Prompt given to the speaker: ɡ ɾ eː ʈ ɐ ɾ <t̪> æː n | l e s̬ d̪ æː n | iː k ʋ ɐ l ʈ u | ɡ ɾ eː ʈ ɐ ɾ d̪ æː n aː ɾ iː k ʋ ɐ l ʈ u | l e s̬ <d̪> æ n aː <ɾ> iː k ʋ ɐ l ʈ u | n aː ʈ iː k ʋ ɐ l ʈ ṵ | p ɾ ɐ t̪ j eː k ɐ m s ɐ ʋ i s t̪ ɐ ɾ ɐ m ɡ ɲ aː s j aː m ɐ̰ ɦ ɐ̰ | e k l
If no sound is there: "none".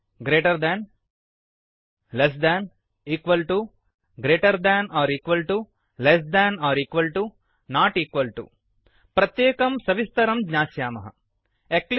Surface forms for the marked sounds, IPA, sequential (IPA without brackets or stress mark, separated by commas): d̪, d̪, ɾ